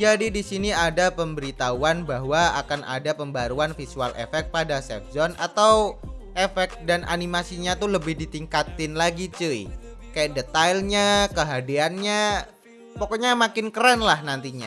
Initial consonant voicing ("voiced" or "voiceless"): voiced